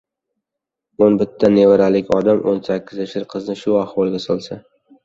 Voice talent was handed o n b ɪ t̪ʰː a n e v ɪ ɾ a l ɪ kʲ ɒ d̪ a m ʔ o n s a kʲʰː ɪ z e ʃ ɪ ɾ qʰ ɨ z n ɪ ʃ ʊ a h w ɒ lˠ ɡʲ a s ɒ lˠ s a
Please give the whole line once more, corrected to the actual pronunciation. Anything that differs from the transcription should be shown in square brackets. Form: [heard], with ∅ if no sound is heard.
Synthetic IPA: o n b ɪ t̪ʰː a n e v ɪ ɾ a l ɪ kʲ ɒ d̪ a m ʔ o n s a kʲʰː ɪ z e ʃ ɪ ɾ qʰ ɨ z n ɪ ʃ ʊ a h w ɒ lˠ ɡʲ a s ɒ lˠ s a